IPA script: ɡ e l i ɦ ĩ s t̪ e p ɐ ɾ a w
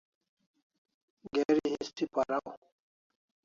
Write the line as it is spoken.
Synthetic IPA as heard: ɡ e ɾ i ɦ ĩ s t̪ i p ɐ ɾ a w

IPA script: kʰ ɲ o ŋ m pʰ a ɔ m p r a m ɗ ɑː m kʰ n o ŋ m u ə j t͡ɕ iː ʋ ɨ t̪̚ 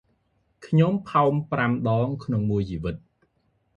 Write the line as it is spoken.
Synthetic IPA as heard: kʰ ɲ o m pʰ a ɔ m p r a m ɗ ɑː ŋ kʰ n o ŋ m u ə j t͡ɕ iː ʋ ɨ t̪̚

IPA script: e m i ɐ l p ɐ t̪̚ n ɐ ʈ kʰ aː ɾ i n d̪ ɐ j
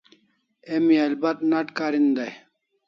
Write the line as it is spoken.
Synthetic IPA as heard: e m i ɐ l b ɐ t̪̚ n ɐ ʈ k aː ɾ i n d̪ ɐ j

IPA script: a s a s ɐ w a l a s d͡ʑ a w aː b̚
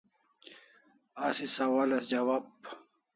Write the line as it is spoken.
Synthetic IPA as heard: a s i s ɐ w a l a s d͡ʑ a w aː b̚

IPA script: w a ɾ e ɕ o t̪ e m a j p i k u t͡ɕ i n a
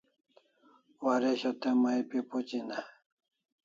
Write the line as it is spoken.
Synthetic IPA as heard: w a ɾ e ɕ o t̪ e m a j p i p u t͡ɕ i n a

